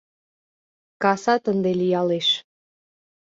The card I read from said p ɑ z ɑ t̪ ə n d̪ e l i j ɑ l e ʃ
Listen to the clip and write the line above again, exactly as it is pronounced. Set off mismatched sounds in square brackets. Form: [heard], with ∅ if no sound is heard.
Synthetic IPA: [k] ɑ [s] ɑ t̪ ə n d̪ e l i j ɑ l e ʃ